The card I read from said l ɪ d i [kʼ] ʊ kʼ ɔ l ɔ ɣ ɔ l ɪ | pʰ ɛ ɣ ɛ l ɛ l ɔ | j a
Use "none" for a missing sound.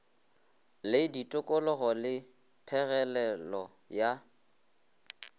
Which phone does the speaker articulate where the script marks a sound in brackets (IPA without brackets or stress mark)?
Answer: tʼ